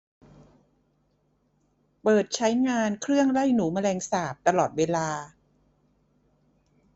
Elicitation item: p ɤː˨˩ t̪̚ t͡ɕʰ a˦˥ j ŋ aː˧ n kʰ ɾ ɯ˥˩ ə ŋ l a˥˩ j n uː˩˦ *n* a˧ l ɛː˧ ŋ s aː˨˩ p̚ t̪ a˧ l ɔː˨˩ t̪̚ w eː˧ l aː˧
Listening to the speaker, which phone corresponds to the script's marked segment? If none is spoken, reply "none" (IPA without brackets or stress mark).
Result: m